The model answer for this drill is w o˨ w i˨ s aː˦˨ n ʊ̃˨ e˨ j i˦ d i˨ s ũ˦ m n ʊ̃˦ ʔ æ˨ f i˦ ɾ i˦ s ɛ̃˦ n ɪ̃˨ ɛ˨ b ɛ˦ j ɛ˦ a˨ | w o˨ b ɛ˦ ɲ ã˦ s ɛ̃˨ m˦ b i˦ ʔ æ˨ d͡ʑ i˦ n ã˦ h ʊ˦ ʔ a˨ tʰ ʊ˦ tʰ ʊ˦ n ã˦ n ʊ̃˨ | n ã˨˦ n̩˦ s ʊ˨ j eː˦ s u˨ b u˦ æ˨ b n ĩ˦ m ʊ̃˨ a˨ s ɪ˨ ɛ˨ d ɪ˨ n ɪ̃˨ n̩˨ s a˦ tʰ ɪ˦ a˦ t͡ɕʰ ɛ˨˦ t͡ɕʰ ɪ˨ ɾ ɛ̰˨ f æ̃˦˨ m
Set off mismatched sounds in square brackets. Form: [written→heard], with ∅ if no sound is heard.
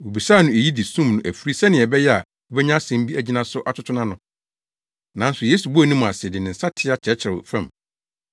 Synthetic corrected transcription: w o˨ [w→b] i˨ s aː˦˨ n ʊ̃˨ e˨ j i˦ d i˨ s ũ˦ m n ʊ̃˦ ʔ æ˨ f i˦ ɾ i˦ s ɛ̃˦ n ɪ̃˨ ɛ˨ b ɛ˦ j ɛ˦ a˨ | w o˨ b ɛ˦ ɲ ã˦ s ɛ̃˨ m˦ b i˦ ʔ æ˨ d͡ʑ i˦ n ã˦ [h→s] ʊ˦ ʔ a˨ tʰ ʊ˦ tʰ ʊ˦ n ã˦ n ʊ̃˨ | n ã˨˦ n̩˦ s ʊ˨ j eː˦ s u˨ b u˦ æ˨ [b→∅] n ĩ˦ m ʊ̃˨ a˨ s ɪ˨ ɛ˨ d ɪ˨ n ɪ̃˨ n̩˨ s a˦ tʰ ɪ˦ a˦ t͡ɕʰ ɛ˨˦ t͡ɕʰ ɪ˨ ɾ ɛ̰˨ f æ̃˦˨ m